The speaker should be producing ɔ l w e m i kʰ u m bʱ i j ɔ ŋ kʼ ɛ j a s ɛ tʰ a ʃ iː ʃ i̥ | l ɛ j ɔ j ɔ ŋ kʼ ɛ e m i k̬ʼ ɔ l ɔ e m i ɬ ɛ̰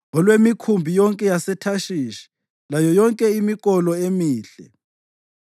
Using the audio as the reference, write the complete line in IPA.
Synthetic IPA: ɔ l w e m i kʰ u m bʱ i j ɔ ŋ kʼ ɛ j a s ɛ tʰ a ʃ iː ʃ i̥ | l a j ɔ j ɔ ŋ kʼ ɛ i m i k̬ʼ ɔ l ɔ e m iː ɬ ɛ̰

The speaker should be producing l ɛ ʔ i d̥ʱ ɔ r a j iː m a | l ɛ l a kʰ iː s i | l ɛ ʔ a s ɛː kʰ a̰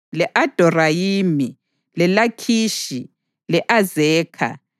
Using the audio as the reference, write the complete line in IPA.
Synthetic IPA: l ɛ ʔ a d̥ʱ ɔ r a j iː m i | l ɛ l a kʰ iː ʃ i | l ɛ ʔ a z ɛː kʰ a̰

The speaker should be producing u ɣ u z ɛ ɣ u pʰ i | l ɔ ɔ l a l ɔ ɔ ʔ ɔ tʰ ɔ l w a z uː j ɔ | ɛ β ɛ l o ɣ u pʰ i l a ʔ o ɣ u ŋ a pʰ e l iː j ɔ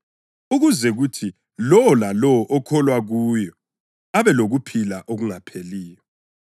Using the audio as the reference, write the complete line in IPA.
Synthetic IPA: u ɣ u z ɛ ɣ u tʰ i | l ɔ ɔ l a l ɔ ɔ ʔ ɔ kʰ ɔ l w a ɣ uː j ɔ | a β ɛ l o ɣ u pʰ i l a ʔ o ɣ u ŋ a pʰ e l iː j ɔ

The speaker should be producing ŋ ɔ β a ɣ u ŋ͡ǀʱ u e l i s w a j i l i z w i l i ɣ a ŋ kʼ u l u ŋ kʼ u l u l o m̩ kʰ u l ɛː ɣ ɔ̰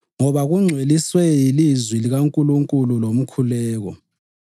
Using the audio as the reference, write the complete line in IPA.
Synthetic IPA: ŋ ɔ β a ɣ u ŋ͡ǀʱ w e l i s w ɛ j i l i z w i l i ɣ a ŋ kʼ u l u ŋ kʼ u l u l o m̩ kʰ u l ɛː ɣ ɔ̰

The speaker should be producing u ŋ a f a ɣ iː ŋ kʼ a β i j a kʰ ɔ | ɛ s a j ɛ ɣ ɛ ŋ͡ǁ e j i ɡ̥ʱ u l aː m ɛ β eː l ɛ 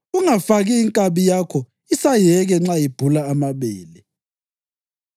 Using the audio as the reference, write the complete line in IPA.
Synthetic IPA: u ŋ a f a ɣ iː ŋ kʼ a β i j a kʰ ɔ | i s a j ɛ ɣ ɛ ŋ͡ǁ a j i b̥ʱ u l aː m a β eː l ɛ

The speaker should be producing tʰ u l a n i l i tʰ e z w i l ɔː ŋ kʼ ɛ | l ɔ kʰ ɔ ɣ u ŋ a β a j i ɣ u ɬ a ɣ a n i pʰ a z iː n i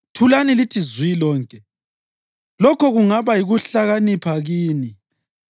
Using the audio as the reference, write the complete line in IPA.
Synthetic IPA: tʰ u l a n i l i tʰ i z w i l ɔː ŋ kʼ ɛ | l ɔ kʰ ɔ ɣ u ŋ a β a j i ɣ u ɬ a ɣ a n i pʰ a ɣ iː n i

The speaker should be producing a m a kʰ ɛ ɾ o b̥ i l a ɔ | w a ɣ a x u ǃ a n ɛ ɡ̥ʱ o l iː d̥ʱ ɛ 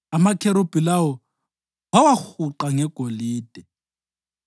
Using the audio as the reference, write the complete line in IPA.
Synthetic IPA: a m a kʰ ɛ ɾ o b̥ i l a ɔ | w a w a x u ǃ a ŋ ɛ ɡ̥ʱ o l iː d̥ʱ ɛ

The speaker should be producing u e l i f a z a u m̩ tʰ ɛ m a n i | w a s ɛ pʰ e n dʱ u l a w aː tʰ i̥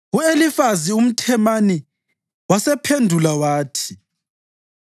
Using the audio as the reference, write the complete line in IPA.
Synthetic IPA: u e l i f a z i u m̩ tʰ ɛ m a n i | w a s ɛ pʰ e n dʱ u l a w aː tʰ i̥

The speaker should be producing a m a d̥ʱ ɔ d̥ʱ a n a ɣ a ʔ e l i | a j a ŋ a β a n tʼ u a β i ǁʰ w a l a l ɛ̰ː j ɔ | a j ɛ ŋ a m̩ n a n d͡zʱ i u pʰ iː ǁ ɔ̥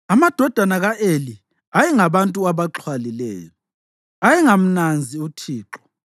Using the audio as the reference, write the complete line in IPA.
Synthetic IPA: a m a d̥ʱ ɔ d̥ʱ a n a ɣ a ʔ e l i | a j ɛ ŋ a β a n tʼ u a β a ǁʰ w a l i l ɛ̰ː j ɔ | a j ɛ ŋ a m̩ n a n d͡zʱ i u tʰ iː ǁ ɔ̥

